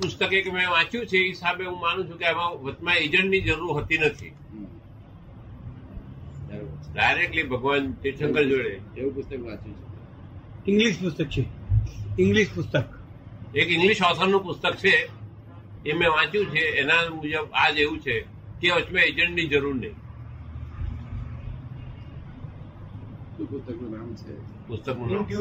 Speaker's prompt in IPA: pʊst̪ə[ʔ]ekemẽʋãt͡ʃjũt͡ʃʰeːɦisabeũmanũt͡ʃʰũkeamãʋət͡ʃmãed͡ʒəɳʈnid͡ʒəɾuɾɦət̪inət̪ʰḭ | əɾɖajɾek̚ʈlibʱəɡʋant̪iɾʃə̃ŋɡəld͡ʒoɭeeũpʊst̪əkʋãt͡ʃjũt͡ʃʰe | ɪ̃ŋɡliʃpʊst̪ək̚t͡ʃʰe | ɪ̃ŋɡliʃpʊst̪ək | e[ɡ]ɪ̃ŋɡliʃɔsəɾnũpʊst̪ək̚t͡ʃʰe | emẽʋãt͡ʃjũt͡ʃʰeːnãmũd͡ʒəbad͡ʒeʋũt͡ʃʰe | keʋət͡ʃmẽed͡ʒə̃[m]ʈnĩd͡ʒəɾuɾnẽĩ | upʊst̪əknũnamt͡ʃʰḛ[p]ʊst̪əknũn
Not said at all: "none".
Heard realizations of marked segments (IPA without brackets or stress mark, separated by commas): k, k, ɳ, p